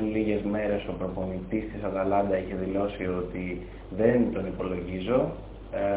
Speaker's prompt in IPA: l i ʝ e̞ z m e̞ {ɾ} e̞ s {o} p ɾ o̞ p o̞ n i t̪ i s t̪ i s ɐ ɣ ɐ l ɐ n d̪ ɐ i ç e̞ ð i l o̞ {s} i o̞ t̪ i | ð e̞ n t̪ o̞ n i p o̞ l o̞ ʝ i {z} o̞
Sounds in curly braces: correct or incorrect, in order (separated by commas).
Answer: correct, correct, correct, correct